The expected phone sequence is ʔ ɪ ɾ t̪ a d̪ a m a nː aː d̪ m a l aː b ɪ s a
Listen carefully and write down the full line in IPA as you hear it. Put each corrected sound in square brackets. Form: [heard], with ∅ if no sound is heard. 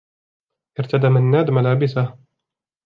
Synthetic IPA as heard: ʔ ɪ ɾ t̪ a d̪ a m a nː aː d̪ m a l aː b ɪ s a

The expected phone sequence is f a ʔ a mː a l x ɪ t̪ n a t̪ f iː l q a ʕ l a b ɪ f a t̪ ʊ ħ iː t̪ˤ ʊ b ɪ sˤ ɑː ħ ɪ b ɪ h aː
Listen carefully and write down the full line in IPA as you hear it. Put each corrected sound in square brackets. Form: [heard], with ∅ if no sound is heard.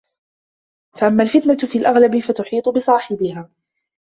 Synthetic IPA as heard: f a ʔ a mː a l [f] ɪ t̪ n a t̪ f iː l [ʔ] a [ɣ] l a b ɪ f a t̪ ʊ ħ iː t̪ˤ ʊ b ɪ sˤ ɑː ħ ɪ b ɪ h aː

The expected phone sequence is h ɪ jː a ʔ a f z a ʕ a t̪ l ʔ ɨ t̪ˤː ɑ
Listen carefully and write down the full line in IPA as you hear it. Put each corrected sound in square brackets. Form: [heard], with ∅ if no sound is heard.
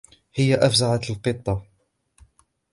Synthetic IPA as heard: h ɪ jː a ʔ a f z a ʕ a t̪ l [q] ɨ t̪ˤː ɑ

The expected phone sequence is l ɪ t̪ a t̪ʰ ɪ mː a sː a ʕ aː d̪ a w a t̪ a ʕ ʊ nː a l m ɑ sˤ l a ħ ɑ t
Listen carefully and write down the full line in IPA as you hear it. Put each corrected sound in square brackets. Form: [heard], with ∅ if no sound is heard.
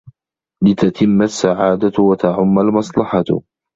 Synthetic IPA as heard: l ɪ t̪ a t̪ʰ ɪ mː a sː a ʕ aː d̪ a w a t̪ a ʕ ʊ [mː] a l m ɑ sˤ l [ɑ] ħ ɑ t

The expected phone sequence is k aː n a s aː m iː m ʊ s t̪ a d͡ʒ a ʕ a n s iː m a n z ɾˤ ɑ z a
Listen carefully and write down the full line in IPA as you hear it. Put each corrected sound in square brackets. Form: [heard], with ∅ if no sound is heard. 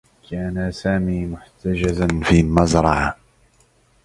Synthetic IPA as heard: k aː n a s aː m iː m ʊ [ħ] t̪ a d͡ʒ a [z] a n [f] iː m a [∅] z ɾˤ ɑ [ʕ] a

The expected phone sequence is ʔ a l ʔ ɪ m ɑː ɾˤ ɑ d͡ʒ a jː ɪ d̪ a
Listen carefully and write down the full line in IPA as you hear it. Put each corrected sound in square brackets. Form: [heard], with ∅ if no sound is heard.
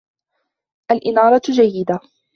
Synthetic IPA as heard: ʔ a l ʔ ɪ [n] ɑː ɾˤ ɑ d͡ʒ a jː ɪ d̪ a

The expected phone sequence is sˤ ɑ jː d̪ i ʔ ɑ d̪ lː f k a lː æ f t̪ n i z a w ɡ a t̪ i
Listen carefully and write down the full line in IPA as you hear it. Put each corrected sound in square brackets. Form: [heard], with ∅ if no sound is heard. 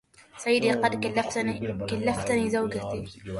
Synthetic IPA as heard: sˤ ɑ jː d̪ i [q] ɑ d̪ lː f k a lː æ f t̪ n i z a w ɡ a t̪ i

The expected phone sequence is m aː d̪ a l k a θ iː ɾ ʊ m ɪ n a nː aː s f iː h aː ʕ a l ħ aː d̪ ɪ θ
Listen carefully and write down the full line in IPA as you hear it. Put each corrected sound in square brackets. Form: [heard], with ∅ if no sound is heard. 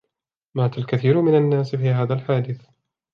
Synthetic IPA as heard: m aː [t̪] a l k a θ iː ɾ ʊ m ɪ n a nː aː s f iː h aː [ð] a l ħ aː d̪ ɪ θ

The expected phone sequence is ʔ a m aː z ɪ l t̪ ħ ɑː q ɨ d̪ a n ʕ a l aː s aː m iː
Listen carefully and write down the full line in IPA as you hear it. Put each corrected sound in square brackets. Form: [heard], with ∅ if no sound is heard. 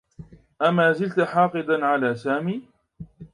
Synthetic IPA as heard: ʔ a m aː z ɪ l t̪ ħ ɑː q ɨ d̪ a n ʕ a l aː s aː m iː

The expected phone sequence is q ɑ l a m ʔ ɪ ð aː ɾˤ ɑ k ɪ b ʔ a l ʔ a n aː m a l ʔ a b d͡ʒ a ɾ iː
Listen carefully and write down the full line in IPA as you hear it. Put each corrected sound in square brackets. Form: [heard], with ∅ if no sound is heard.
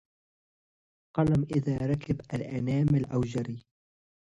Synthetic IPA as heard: q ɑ l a m ʔ ɪ ð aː ɾˤ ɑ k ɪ b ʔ a l ʔ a n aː m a l ʔ a [w] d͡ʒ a ɾ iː

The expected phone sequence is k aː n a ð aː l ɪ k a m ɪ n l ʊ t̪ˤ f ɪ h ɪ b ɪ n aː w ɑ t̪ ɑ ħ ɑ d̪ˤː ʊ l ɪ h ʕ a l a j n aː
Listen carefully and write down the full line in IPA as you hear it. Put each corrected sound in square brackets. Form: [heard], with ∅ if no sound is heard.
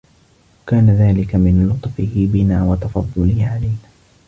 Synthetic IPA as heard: k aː n a ð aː l ɪ k a m ɪ n l ʊ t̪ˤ f ɪ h ɪ b ɪ n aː w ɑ t̪ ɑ [f] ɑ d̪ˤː ʊ l ɪ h ʕ a l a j n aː

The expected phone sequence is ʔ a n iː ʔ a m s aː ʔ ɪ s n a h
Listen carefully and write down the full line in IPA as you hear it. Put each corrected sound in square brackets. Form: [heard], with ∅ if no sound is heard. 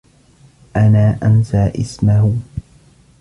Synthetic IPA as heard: ʔ a n [aː] ʔ a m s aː ʔ ɪ s [m] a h

